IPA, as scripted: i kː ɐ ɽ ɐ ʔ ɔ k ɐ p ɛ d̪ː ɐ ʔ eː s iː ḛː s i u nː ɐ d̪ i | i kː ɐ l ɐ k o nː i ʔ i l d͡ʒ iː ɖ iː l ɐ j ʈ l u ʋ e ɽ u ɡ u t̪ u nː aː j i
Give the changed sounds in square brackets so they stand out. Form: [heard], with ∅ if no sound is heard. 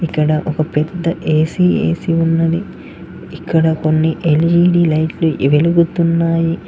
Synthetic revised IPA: i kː ɐ ɽ ɐ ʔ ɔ k ɐ p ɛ d̪ː ɐ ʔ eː s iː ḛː s i u nː ɐ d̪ i | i kː ɐ [ɽ] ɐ k o nː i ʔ [e] l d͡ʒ iː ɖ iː l ɐ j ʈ l u ʋ e [l] u ɡ u t̪ u nː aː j i